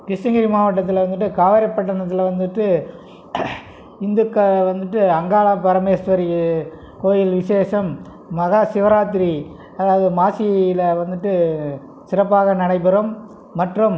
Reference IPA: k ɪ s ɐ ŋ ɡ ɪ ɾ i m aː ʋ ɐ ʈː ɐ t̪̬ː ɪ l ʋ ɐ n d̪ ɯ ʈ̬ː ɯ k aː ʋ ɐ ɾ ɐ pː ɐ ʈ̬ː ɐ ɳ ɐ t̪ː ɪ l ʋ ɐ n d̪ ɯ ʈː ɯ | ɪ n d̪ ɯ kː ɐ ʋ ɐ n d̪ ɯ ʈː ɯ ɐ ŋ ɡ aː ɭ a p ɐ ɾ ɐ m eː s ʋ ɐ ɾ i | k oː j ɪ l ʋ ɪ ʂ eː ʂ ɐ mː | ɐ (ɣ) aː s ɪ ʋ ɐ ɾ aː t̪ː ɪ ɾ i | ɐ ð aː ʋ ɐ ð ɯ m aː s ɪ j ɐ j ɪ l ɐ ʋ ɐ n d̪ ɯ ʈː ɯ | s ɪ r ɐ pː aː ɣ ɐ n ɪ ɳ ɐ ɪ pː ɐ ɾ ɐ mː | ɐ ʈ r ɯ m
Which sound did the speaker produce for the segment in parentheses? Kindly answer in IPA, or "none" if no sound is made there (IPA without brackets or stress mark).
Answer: ɣ